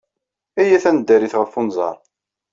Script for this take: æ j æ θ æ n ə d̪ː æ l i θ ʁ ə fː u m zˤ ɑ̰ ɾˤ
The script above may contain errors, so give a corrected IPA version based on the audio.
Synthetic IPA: æ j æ θ æ n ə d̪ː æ ɾ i θ ʁ ə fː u n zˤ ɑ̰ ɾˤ